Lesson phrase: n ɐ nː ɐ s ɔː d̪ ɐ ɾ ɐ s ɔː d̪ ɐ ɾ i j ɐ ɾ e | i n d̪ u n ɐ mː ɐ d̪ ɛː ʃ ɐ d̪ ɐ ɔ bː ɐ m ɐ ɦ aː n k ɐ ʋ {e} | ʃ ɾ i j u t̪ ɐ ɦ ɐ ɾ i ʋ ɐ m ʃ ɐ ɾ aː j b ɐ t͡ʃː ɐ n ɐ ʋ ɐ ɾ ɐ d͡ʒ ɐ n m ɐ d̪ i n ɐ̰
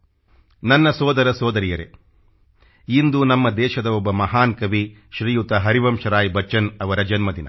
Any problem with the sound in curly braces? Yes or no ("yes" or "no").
yes